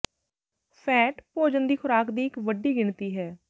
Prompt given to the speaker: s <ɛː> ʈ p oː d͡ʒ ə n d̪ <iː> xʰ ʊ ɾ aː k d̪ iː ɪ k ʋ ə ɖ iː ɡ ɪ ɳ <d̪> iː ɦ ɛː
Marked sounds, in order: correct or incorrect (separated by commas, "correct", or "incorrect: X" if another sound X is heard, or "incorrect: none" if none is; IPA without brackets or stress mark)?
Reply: correct, correct, incorrect: t̪